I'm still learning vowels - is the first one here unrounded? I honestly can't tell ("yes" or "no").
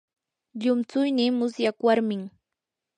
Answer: no